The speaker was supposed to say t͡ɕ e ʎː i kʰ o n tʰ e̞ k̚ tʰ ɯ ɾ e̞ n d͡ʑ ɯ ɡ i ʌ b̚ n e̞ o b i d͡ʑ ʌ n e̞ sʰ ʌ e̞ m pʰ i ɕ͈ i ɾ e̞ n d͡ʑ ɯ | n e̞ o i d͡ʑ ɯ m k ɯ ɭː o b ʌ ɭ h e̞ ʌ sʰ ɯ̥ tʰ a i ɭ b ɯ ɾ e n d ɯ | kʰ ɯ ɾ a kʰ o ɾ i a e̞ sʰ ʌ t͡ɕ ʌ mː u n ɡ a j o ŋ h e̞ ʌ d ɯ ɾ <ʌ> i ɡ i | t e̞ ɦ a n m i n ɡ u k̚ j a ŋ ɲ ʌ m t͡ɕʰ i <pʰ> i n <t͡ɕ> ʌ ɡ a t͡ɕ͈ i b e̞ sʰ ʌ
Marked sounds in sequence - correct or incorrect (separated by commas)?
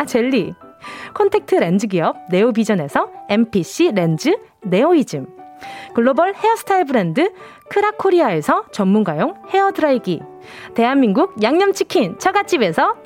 incorrect, incorrect, incorrect